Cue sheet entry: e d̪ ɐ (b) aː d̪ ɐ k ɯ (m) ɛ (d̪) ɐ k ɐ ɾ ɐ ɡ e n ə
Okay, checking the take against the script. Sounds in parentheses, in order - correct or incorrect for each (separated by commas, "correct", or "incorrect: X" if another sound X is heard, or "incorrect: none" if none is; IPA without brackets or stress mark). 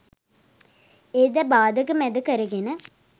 correct, correct, correct